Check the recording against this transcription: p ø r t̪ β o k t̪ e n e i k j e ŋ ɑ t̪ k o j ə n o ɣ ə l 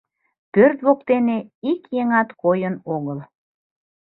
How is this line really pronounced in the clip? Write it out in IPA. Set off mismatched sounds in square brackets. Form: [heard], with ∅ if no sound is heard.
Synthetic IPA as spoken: p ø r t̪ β o k t̪ e n e i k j e ŋ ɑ t̪ k o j ə n o ɣ ə l